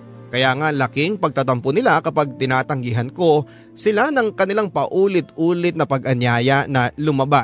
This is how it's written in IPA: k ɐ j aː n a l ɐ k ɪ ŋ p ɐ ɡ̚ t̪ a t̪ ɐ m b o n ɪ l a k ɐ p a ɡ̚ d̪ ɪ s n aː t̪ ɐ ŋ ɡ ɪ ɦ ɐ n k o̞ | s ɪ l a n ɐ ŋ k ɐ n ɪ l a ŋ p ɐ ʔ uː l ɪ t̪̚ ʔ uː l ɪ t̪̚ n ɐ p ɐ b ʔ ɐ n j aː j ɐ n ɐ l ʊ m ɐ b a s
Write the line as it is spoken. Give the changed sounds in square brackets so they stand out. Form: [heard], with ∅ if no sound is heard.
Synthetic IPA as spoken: k ɐ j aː [ŋ] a l ɐ k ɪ ŋ p ɐ ɡ̚ t̪ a t̪ ɐ m [p] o n ɪ l a k ɐ p a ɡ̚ [t̪] ɪ [∅] n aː t̪ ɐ ŋ ɡ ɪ ɦ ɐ n k o̞ | s ɪ l a n ɐ ŋ k ɐ n ɪ l a ŋ p ɐ ʔ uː l ɪ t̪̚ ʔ uː l ɪ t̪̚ n ɐ p ɐ [ɡ] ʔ ɐ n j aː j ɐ n ɐ l ʊ m ɐ b a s